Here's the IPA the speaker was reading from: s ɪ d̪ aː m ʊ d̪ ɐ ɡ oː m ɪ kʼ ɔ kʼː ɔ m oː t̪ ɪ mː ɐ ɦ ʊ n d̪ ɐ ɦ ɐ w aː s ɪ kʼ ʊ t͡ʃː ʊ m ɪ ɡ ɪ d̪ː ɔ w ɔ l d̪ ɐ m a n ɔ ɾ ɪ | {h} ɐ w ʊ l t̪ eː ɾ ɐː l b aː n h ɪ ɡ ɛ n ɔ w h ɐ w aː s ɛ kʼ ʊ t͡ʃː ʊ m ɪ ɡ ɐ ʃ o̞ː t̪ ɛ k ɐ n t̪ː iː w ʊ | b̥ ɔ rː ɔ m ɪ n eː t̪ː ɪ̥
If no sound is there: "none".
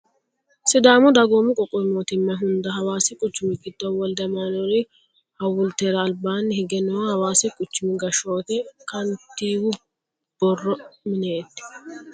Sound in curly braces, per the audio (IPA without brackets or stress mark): h